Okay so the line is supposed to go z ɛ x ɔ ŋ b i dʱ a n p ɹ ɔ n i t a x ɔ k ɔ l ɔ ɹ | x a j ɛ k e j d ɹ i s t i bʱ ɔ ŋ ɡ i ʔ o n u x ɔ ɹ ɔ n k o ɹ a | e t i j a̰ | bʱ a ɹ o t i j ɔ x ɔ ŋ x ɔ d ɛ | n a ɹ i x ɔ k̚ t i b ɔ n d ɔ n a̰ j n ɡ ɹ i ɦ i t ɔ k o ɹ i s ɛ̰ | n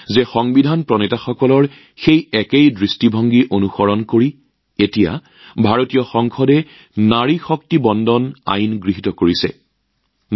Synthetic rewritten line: z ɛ x ɔ ŋ b i dʱ a n p ɹ ɔ n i t a x ɔ k ɔ l ɔ ɹ | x e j ɛ k e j d ɹ i s t i bʱ ɔ ŋ ɡ i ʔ o n u x ɔ ɹ ɔ n k o ɹ i | e t i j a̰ | bʱ a ɹ o t i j ɔ x ɔ ŋ x ɔ d ɛ | n a ɹ i x ɔ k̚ t i b ɔ n d ɔ n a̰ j n ɡ ɹ i ɦ i t ɔ k o ɹ i s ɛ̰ | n